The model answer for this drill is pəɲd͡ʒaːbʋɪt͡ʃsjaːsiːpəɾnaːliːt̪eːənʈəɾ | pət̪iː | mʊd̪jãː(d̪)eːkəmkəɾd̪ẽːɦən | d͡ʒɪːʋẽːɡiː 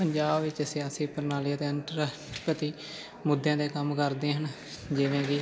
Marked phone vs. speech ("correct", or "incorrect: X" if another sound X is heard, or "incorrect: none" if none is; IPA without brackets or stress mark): correct